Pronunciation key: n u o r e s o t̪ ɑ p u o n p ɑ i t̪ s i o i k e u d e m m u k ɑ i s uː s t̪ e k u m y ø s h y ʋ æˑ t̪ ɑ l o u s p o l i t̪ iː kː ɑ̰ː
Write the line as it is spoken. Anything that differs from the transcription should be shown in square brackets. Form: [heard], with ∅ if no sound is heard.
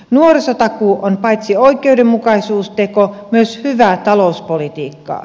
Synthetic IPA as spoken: n u o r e s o t̪ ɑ [k] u o n p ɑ i t̪ s i o i k e u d e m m u k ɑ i s uː s t̪ e k [o] m y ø s h y ʋ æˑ t̪ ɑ l o u s p o l i t̪ iː kː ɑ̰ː